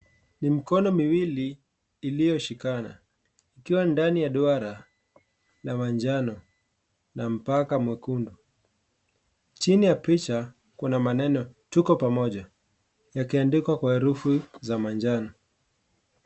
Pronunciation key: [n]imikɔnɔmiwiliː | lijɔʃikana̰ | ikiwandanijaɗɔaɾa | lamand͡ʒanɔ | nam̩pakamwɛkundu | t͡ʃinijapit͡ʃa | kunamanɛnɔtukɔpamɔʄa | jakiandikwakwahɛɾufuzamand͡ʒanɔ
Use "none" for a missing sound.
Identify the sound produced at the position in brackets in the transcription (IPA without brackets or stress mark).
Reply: n